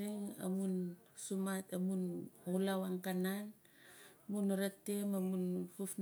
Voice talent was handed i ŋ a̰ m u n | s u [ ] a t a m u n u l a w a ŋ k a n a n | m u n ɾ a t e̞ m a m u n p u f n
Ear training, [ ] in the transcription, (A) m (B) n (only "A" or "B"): A